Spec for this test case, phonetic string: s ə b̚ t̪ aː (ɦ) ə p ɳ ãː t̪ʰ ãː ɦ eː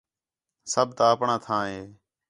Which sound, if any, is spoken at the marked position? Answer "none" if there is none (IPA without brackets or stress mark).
none